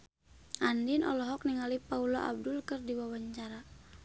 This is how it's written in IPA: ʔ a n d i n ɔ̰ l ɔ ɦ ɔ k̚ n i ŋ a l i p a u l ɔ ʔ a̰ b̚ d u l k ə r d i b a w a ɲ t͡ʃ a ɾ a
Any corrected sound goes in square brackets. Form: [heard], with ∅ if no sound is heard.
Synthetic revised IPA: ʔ a n d i n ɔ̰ l ɔ ɦ ɔ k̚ n i ŋ a l i p a u l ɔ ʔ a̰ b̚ d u l k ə r d i [w] a w a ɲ t͡ʃ a ɾ a